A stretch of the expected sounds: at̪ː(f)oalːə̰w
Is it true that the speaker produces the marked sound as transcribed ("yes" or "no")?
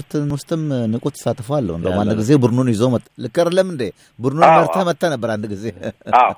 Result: yes